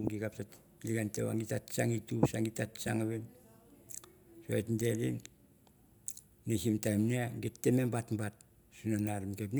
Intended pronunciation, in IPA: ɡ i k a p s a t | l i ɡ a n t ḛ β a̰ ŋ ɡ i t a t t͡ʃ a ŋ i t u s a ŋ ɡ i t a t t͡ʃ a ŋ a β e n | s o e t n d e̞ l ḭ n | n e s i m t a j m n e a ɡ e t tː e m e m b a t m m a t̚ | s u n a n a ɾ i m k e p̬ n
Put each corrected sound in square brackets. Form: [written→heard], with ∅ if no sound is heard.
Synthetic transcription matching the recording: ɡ i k a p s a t | l i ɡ a n t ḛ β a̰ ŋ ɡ i t a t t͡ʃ a ŋ i t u s a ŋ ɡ i t a t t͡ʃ a ŋ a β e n | s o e t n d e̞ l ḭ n | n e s i m t a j m n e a ɡ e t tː e m e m b a t m [m→b] a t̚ | s u n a n a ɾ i m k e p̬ n